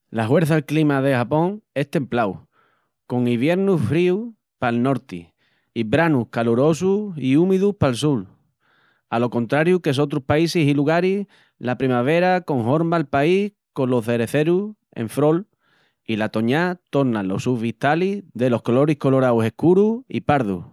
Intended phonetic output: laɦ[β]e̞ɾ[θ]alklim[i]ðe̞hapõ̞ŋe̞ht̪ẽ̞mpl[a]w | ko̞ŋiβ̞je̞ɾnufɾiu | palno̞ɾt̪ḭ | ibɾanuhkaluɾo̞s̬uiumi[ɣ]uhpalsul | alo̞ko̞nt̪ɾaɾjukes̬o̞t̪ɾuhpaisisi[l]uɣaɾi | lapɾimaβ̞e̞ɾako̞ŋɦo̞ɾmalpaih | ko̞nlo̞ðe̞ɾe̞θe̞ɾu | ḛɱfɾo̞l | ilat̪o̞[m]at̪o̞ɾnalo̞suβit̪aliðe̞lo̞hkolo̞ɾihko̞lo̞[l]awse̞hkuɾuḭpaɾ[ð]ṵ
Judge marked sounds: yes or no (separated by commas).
no, yes, no, yes, no, yes, no, no, yes